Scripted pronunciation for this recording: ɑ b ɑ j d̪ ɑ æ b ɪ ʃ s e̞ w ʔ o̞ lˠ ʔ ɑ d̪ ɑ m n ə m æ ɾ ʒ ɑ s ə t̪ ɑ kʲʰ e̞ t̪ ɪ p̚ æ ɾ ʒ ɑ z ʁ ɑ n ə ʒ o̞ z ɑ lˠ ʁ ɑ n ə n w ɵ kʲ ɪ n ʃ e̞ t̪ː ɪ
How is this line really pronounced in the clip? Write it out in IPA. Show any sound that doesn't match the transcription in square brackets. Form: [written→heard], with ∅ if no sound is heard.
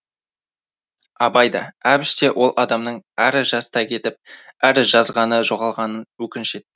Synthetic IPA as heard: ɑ b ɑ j d̪ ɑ æ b ɪ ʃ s e̞ w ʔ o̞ lˠ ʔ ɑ d̪ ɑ m n ə [m→ɴ] æ ɾ ʒ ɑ s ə t̪ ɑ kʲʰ e̞ t̪ ɪ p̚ æ ɾ ʒ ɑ z ʁ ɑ n ə ʒ o̞ [z→ʁ] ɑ lˠ ʁ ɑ n ə n w ɵ kʲ ɪ n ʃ e̞ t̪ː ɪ